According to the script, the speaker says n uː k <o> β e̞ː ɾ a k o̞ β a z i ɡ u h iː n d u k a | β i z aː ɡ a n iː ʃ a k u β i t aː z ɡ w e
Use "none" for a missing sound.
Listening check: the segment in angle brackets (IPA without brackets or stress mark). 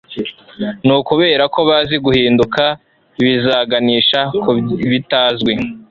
u